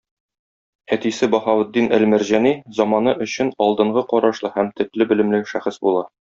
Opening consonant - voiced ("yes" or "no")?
no